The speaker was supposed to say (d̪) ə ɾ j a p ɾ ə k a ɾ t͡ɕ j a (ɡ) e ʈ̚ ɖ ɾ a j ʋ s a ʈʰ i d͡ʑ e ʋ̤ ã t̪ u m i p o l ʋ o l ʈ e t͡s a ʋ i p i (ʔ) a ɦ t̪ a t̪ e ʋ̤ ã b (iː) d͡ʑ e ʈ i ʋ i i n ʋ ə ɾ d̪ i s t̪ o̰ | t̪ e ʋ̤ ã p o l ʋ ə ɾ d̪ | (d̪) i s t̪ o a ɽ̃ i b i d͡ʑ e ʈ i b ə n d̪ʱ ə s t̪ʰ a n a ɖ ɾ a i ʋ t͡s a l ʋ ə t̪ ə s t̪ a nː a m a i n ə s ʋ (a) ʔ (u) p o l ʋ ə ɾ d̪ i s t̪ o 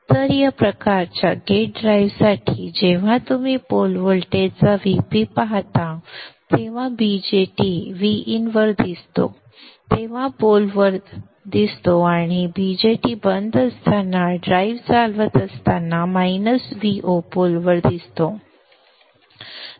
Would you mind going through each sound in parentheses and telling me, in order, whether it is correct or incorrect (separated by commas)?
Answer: incorrect, correct, incorrect, incorrect, correct, incorrect, incorrect